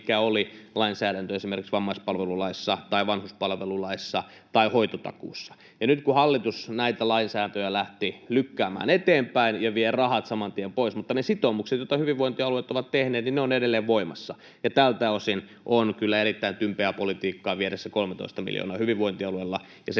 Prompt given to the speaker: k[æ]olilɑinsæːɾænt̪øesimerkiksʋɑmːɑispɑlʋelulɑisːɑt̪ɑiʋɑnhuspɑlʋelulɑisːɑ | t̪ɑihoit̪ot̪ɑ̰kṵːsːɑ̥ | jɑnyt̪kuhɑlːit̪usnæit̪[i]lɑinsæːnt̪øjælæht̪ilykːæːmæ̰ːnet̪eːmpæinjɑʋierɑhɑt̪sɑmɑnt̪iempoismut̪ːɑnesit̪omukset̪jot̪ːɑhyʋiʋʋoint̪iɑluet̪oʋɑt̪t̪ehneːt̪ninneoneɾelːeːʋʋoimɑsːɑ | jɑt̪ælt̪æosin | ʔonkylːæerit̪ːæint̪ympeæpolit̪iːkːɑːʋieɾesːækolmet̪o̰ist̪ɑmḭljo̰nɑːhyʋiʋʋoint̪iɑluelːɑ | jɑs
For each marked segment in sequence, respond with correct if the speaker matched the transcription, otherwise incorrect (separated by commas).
correct, incorrect